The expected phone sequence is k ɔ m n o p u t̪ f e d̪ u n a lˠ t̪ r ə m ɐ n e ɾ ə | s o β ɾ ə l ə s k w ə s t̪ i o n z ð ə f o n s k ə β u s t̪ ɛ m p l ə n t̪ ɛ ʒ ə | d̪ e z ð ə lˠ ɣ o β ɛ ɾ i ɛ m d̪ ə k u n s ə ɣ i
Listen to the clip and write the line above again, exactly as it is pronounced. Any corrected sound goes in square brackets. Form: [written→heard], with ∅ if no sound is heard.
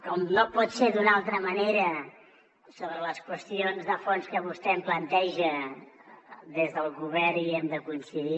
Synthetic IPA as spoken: k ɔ m n o p [u→ɔ] t̪ [f→s] e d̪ u n a lˠ t̪ [r→ɾ] ə m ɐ n e ɾ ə | s o β ɾ ə l ə s k w ə s t̪ i o n z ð ə f o n s k ə β u s t̪ ɛ m p l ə n t̪ ɛ ʒ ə | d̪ e z ð ə lˠ ɣ [o→u] β ɛ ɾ i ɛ m d̪ ə k u n s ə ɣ i